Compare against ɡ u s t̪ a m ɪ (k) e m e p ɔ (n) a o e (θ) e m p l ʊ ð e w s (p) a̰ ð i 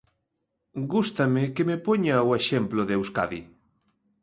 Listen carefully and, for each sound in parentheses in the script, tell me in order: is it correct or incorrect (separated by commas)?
correct, incorrect, incorrect, incorrect